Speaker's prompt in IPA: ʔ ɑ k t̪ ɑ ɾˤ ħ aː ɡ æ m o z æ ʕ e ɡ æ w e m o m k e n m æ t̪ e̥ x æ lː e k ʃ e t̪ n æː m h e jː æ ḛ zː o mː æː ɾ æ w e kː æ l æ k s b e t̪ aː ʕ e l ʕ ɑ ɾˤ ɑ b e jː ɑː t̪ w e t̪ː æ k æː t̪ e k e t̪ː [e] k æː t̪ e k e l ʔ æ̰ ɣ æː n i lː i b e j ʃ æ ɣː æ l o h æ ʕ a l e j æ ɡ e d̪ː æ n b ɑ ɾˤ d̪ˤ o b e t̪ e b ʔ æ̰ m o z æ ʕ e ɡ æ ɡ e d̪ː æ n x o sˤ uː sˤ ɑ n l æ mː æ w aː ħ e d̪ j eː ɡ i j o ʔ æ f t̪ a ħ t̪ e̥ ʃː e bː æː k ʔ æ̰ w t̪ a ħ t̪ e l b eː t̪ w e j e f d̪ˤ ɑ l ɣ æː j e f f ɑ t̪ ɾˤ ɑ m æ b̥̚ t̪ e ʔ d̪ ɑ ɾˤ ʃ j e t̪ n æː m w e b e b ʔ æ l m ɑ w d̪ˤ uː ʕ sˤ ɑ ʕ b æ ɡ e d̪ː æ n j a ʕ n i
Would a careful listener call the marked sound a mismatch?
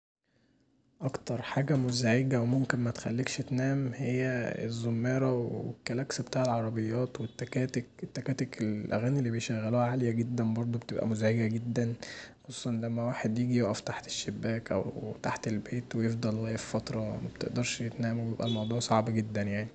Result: yes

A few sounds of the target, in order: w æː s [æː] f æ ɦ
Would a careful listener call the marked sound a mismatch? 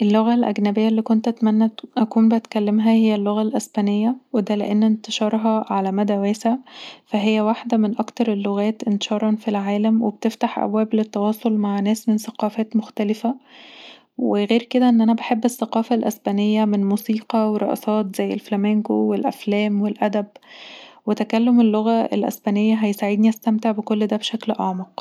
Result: yes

